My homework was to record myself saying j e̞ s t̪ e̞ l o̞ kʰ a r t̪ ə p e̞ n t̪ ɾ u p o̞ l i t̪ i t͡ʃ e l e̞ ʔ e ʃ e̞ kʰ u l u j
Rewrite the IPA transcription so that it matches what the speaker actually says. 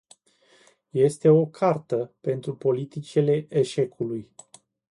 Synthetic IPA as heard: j e̞ s t̪ e̞ o̞ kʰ a r t̪ ə p e̞ n t̪ ɾ u p o̞ l i t̪ i t͡ʃ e l e̞ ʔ e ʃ e̞ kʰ u l u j